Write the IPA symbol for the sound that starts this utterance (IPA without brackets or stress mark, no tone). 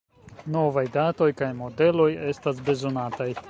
n